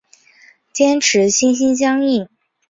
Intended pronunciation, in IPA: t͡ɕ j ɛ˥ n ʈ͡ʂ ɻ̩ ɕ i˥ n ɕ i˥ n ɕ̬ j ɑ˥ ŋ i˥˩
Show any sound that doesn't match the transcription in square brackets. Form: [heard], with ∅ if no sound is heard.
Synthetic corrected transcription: t͡ɕ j ɛ˥ n [ʈ͡ʂʰ] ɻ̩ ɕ i˥ n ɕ i˥ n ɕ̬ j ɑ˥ ŋ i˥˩